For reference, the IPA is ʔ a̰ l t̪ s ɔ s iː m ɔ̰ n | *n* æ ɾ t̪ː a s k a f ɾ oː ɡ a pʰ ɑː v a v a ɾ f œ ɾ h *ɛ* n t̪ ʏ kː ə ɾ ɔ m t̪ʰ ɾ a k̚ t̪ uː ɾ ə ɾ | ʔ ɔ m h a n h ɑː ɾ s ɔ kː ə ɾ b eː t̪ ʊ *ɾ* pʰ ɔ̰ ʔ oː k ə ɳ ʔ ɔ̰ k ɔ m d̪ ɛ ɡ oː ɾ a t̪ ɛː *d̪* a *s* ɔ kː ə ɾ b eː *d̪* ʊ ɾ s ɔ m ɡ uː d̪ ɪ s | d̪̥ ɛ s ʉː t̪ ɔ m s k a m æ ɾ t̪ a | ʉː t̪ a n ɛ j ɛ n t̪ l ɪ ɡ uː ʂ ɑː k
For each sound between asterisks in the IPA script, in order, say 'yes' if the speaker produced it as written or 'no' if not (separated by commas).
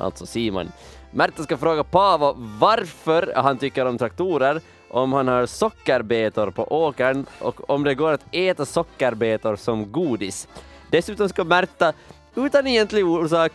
no, no, yes, no, yes, no